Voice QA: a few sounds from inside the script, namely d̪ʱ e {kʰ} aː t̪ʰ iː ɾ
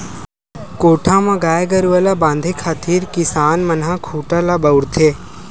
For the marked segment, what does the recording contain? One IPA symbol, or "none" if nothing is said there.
kʰ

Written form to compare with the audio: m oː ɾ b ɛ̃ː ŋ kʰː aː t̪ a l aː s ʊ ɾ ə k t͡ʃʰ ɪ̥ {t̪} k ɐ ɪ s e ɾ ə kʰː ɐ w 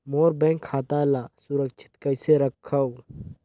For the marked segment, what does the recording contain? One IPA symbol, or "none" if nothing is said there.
t̪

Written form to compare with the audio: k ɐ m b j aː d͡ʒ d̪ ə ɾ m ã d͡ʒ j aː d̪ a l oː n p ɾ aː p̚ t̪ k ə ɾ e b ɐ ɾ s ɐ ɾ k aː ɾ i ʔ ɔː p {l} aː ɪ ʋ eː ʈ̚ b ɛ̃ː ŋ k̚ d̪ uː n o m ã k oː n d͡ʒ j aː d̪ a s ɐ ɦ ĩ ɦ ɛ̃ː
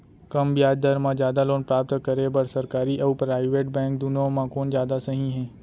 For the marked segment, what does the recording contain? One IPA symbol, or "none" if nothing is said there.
ɾ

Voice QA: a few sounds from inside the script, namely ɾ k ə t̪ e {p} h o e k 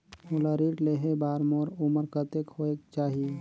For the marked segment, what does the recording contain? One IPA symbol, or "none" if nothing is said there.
k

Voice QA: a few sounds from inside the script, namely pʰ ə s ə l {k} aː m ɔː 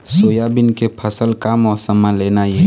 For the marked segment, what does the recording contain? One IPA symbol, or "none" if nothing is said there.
k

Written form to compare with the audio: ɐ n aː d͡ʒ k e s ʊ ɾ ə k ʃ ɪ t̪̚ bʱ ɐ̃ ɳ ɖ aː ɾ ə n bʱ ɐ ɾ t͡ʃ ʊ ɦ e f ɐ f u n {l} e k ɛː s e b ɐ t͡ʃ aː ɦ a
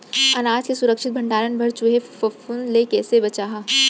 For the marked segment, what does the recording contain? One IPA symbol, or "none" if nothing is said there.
l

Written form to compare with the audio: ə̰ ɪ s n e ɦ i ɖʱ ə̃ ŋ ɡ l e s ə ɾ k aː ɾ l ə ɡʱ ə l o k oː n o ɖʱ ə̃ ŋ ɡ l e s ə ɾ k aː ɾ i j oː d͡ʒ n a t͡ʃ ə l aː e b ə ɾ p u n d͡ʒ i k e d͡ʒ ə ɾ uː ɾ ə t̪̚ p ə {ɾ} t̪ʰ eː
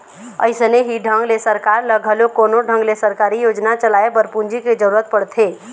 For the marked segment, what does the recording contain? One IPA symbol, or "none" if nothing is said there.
ɽ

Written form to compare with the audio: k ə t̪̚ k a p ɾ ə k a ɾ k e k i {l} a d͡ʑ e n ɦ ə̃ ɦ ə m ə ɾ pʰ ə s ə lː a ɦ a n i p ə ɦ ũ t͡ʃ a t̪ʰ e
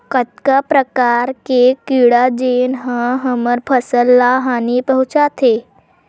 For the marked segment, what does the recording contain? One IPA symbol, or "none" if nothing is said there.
ɽ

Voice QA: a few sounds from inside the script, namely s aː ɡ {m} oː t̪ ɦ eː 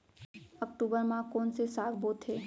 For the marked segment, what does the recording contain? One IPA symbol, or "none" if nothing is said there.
b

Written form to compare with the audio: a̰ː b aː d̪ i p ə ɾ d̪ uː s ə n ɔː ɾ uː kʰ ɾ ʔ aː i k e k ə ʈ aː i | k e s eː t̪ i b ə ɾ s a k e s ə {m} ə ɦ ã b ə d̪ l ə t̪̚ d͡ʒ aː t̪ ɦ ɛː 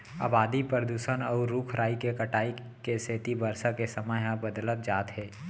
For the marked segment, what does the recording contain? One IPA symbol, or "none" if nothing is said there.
m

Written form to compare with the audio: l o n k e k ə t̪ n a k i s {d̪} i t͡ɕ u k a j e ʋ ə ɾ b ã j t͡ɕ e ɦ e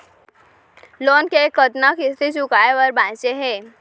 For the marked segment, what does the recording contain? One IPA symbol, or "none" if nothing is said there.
t̪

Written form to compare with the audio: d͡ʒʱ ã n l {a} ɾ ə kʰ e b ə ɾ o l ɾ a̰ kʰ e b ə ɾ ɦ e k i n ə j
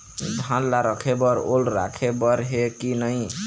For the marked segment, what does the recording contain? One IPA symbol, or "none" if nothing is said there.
a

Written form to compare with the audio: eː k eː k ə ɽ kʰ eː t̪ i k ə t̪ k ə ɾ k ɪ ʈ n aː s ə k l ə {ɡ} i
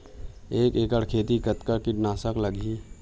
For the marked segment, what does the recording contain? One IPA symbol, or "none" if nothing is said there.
ɡ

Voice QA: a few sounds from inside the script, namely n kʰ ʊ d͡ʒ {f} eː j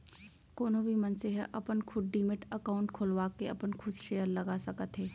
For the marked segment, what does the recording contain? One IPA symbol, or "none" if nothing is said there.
ʃ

